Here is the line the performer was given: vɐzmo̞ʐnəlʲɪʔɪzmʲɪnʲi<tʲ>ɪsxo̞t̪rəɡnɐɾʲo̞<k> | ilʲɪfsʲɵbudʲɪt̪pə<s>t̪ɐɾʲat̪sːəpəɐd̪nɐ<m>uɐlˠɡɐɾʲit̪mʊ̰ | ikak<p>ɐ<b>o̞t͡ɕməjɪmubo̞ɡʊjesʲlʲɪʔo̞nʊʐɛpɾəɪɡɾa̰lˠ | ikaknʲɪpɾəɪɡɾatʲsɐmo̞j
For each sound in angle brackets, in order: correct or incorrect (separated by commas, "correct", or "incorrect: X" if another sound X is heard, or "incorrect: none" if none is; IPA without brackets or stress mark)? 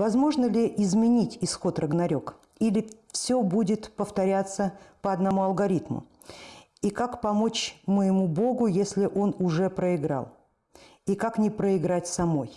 correct, correct, incorrect: f, correct, correct, incorrect: m